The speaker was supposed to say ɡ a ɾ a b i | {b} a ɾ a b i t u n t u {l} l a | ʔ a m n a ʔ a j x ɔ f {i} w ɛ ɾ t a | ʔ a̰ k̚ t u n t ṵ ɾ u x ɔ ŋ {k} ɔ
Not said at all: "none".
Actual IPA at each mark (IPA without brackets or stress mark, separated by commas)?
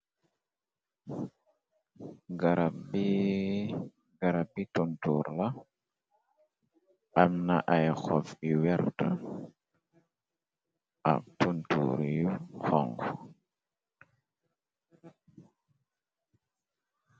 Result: ɡ, ɾ, i, ɡ